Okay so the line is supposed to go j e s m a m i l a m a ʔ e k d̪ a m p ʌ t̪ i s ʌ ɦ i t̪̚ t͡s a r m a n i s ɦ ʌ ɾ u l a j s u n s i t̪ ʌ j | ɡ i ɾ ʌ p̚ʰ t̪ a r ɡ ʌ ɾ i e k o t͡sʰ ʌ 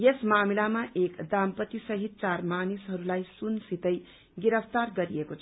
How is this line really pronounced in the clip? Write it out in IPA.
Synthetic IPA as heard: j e s m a m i l a m a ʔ e k d̪ a m p ʌ t̪ i s ʌ ɦ i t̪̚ t͡s a r m a n i s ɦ ʌ ɾ u l a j s u n s i t̪ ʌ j | ɡ i ɾ ʌ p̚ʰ t̪ a r ɡ ʌ ɾ i e k o t͡sʰ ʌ